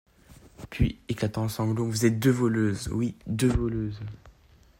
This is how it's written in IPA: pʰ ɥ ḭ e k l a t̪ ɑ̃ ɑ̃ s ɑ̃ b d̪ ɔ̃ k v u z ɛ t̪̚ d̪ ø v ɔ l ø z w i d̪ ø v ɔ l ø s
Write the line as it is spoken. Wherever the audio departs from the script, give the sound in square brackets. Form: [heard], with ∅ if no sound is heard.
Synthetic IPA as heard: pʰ ɥ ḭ e k l a t̪ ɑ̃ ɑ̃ s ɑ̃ b d̪ ɔ̃ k v u z ɛ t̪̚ d̪ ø v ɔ l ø z w i d̪ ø v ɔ l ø [z]